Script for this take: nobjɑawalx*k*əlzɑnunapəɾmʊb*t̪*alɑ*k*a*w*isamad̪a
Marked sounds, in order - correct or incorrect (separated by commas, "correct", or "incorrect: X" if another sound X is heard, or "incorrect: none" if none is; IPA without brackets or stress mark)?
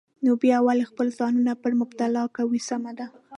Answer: incorrect: p, correct, correct, correct